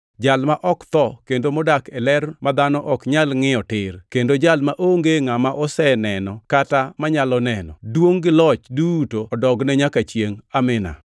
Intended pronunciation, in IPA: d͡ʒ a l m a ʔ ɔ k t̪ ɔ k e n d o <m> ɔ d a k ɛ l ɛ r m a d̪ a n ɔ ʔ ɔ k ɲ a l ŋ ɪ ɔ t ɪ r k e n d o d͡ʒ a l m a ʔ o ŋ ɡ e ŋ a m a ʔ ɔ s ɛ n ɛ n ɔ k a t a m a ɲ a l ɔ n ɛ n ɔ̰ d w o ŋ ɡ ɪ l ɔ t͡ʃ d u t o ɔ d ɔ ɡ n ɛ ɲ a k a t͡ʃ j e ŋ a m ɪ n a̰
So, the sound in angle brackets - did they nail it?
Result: yes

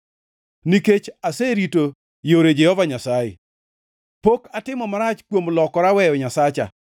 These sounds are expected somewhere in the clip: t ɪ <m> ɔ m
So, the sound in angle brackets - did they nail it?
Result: yes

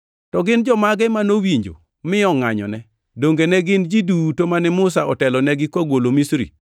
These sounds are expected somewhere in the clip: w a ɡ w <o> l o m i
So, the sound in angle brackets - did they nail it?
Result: yes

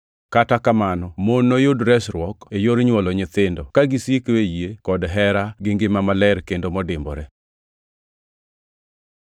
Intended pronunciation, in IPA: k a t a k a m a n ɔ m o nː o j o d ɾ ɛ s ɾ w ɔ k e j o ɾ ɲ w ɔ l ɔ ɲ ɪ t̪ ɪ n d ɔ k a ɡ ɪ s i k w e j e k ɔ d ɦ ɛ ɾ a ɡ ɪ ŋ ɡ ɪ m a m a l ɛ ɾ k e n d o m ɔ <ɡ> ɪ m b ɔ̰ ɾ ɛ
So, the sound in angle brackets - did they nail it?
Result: no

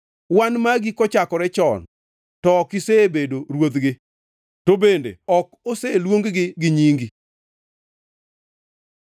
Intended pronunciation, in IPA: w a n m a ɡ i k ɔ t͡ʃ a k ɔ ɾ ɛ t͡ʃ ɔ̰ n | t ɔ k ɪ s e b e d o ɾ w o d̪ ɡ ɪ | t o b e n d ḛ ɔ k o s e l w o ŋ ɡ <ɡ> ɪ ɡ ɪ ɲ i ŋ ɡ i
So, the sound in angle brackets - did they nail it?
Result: yes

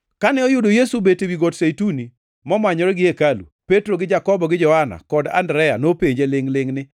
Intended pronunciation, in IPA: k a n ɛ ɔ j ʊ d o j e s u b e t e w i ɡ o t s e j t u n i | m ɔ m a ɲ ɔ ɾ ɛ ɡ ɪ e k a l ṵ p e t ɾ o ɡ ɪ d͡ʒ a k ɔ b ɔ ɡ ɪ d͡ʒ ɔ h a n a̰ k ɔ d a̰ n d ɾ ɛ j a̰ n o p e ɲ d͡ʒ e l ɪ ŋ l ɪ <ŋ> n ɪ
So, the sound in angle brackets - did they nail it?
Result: yes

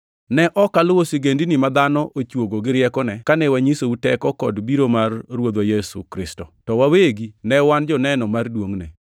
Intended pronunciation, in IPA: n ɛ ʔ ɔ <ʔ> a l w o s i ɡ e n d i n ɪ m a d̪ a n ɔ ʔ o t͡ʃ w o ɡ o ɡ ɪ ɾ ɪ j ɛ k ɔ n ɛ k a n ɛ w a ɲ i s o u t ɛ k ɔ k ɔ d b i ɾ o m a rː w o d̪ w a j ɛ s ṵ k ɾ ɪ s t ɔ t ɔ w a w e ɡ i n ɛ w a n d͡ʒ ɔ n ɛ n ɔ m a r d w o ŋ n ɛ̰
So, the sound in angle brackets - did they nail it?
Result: no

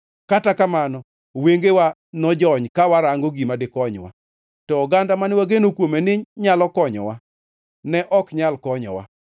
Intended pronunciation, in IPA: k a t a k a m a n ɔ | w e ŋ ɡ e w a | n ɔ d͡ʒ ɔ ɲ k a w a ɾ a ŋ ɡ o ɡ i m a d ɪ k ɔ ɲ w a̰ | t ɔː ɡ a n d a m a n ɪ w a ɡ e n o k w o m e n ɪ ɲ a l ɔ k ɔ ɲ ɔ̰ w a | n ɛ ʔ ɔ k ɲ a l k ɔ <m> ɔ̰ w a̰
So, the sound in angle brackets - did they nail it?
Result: no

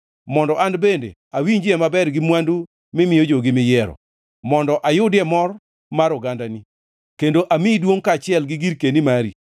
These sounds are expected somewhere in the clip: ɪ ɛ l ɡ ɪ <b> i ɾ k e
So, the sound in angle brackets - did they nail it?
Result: no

